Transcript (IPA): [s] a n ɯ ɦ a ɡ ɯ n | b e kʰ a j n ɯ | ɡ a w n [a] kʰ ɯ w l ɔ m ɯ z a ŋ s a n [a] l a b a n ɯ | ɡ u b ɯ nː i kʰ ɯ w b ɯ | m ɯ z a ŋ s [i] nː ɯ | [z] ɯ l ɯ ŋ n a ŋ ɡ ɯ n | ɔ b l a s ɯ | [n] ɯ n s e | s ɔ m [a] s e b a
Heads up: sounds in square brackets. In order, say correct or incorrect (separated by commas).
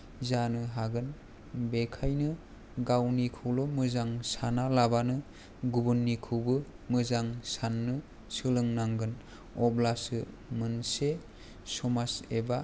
incorrect, incorrect, correct, incorrect, incorrect, incorrect, correct